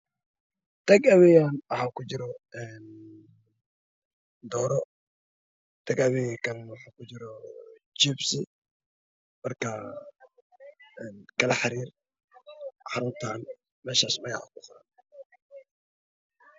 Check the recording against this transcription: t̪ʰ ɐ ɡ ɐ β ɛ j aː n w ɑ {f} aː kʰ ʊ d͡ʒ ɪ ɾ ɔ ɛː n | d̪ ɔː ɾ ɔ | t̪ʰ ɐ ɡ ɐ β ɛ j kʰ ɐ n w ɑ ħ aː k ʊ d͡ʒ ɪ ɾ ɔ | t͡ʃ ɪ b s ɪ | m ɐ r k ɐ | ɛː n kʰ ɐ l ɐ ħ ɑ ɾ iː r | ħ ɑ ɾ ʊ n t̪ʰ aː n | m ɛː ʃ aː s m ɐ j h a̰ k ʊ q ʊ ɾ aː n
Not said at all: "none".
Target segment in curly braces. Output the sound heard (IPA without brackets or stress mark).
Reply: ħ